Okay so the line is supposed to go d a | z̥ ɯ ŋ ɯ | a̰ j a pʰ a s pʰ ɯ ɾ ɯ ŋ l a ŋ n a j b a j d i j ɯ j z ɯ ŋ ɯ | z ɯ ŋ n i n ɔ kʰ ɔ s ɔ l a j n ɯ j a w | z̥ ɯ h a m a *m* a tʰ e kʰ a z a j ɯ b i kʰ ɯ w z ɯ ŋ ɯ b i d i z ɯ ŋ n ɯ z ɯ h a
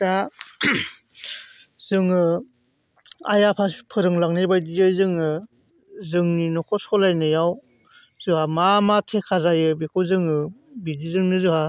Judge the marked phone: correct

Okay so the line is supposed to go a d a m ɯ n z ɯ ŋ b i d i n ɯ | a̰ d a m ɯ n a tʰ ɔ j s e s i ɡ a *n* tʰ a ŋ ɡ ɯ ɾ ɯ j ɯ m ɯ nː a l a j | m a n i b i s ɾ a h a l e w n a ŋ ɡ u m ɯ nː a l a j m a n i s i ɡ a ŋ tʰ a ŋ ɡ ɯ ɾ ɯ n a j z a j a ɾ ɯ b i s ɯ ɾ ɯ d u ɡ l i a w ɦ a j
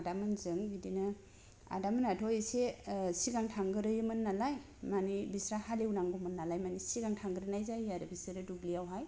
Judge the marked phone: incorrect: ŋ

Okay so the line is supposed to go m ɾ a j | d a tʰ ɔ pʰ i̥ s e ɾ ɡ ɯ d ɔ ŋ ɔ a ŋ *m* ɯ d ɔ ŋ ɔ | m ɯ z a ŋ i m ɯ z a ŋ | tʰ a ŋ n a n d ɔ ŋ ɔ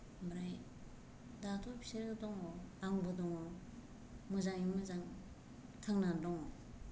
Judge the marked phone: incorrect: b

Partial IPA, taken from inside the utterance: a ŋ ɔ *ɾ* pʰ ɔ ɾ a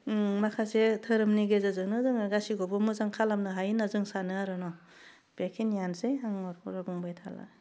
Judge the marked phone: correct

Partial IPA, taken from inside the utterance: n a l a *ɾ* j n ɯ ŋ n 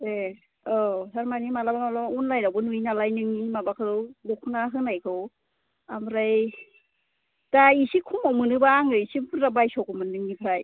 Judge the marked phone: incorrect: none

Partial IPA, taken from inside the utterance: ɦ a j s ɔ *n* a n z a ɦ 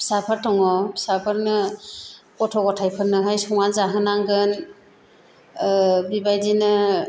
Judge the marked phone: incorrect: ŋ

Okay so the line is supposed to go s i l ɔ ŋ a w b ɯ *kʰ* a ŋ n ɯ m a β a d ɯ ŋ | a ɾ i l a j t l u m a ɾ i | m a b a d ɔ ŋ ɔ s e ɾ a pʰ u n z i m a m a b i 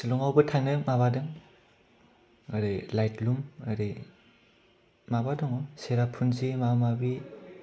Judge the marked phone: incorrect: tʰ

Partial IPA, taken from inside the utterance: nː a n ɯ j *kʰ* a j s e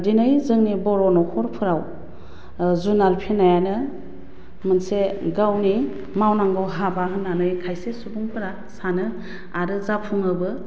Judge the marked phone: correct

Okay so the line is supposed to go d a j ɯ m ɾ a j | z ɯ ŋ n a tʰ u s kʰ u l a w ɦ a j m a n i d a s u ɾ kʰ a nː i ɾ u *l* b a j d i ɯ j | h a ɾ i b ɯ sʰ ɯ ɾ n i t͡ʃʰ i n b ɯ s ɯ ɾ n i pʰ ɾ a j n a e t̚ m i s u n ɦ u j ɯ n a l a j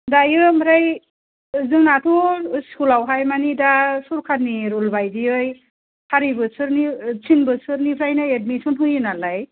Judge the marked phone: correct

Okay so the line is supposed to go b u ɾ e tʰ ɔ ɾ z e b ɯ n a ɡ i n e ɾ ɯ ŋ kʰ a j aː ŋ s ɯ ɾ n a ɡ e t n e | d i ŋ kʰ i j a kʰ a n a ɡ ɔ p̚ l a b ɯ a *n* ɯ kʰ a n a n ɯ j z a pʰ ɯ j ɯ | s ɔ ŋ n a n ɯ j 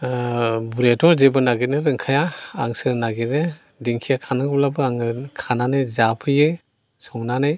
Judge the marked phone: incorrect: ŋ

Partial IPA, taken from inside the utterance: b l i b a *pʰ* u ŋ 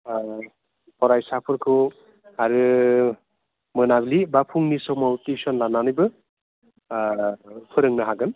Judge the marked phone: correct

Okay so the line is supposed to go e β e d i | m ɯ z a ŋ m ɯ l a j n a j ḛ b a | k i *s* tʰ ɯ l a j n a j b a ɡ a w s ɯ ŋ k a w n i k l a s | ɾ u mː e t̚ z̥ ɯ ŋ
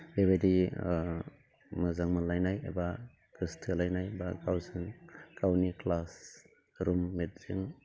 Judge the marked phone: correct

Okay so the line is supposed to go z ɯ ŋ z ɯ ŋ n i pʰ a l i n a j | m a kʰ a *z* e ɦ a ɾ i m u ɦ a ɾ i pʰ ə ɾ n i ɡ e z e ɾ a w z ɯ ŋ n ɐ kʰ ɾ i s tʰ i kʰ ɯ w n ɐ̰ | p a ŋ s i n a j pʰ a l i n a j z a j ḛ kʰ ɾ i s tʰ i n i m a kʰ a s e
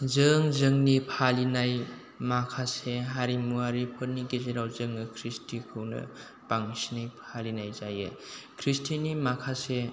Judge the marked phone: incorrect: s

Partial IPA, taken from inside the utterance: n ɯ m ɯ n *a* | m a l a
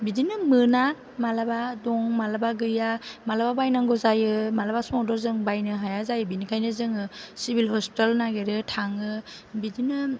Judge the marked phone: correct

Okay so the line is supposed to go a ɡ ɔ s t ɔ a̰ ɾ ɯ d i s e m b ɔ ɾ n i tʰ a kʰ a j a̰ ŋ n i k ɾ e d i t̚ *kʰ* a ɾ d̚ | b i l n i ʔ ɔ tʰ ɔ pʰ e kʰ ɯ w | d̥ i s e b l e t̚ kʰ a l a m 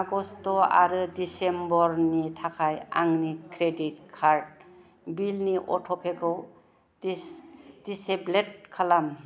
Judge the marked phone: correct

